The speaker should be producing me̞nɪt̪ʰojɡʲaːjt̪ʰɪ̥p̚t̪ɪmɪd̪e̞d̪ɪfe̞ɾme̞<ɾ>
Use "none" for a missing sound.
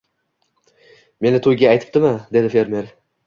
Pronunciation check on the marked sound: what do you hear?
ɾ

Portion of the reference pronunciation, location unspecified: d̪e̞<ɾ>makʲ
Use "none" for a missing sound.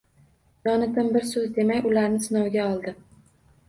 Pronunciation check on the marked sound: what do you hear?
none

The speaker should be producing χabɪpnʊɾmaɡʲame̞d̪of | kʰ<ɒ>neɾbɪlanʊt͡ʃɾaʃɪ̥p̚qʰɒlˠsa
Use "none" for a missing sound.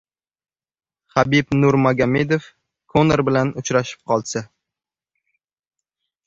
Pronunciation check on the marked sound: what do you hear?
o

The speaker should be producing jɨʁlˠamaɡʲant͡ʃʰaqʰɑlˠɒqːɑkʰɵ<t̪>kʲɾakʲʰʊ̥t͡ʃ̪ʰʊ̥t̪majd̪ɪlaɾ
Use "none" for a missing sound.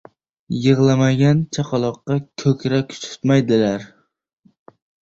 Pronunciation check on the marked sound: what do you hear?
none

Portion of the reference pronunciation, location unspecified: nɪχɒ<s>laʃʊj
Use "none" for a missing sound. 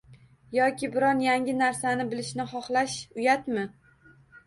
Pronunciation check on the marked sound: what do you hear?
χ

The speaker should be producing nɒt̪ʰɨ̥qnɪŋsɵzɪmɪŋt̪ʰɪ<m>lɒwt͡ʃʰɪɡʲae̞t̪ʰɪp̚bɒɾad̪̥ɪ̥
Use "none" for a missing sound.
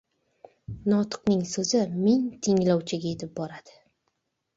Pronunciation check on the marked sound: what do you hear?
ŋ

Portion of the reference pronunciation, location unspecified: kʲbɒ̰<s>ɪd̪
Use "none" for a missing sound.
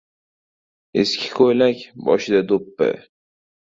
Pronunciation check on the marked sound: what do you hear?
ʃ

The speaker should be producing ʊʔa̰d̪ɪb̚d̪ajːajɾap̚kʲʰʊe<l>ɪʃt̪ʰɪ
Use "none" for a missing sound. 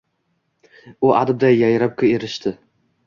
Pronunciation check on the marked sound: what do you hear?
ɾ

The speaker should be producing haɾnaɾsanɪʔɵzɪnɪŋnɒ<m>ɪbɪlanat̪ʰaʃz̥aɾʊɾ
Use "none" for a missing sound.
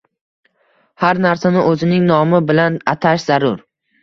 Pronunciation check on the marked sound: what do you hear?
m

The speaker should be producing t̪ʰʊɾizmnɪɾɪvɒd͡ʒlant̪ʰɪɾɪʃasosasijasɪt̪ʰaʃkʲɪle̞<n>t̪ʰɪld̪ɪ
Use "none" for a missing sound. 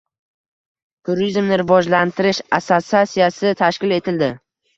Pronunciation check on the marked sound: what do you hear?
none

